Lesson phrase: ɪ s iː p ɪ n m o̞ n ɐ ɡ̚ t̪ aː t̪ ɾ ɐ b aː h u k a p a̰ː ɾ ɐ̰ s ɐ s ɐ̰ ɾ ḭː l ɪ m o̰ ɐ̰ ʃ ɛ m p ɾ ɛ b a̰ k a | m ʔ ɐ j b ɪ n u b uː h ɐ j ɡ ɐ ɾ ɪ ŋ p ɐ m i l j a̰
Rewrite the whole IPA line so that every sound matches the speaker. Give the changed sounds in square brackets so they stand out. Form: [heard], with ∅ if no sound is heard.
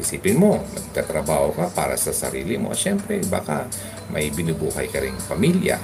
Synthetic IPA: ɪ s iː p ɪ n m o̞ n ɐ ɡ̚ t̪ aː t̪ ɾ ɐ b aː h [o] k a p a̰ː ɾ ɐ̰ s ɐ s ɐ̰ ɾ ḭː l ɪ m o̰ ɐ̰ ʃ ɛ m p ɾ ɛ b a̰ k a | m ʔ ɐ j b ɪ n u b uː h ɐ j [k] ɐ ɾ ɪ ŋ p ɐ m i l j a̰